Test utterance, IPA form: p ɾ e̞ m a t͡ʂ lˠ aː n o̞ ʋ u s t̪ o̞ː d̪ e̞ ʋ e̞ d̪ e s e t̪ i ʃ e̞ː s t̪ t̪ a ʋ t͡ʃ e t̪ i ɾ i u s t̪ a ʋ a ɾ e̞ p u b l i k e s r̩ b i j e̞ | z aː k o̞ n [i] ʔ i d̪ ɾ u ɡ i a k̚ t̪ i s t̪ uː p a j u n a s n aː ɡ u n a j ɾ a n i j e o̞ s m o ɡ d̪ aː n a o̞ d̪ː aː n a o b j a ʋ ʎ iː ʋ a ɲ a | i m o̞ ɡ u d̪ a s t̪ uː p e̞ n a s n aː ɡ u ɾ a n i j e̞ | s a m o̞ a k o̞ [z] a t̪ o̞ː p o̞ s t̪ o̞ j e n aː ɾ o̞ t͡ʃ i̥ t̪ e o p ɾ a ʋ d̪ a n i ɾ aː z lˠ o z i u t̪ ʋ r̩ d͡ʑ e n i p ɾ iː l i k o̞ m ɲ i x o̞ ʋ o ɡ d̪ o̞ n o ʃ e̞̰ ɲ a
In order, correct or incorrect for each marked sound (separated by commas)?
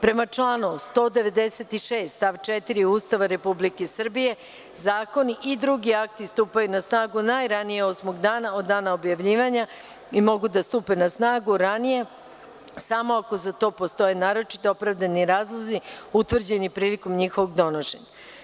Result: correct, correct